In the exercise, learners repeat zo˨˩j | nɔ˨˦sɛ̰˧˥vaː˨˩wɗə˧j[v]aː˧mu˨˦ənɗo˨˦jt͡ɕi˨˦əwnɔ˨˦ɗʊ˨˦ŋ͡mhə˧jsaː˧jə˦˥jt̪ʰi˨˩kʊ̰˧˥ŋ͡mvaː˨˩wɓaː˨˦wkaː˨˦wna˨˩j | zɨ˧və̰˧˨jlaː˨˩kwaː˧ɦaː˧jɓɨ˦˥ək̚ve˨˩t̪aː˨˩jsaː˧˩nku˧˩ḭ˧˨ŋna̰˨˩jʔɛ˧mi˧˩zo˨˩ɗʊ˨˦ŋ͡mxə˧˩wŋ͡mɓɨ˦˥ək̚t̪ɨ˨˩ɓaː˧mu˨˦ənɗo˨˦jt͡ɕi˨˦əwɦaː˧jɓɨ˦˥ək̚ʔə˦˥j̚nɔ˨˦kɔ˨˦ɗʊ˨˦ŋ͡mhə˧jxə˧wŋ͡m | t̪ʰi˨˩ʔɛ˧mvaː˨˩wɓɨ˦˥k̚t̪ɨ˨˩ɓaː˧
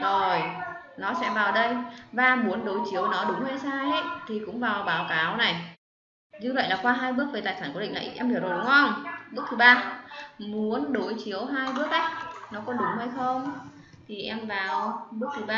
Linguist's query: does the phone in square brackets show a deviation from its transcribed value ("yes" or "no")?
no